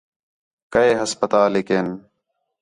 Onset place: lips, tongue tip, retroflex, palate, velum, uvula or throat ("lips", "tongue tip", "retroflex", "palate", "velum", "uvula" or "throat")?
velum